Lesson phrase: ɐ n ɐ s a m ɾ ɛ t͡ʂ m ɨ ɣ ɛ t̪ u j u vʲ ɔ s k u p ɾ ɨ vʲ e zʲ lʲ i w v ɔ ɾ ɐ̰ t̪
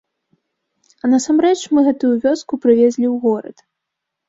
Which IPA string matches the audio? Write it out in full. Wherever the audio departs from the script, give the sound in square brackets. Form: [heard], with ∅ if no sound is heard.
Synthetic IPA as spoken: ɐ n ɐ s a m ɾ ɛ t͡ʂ m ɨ ɣ ɛ t̪ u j u vʲ ɔ s k u p ɾ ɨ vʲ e zʲ lʲ i w [ɣ] ɔ ɾ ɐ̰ t̪